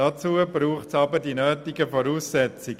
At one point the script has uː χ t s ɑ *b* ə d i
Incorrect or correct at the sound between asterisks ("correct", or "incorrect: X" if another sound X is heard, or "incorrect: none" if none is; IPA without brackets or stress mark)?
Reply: correct